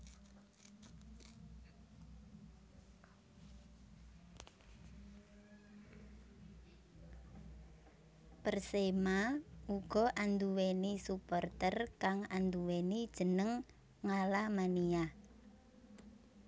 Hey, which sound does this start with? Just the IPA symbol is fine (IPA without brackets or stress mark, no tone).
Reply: p